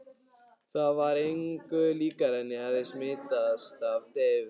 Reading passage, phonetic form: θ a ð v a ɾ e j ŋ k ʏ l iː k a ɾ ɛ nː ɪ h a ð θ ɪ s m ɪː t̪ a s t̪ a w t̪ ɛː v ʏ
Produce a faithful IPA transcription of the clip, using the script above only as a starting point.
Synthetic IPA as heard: θ a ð v a ɾ e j ŋ k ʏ l iː k a ɾ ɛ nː ɪ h a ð ð ɪ s m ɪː t̪ a s t̪ a v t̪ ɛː v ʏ